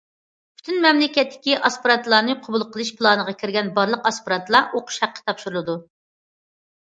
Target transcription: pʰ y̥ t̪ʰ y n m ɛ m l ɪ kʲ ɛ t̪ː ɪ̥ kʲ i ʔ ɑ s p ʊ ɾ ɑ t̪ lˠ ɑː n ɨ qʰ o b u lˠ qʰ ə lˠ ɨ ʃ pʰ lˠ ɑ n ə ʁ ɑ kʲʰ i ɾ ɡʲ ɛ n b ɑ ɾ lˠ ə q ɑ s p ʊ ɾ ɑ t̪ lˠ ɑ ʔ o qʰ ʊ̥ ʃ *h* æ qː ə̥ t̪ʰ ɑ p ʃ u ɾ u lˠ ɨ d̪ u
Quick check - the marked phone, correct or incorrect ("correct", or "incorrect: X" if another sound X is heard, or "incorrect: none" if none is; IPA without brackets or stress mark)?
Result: correct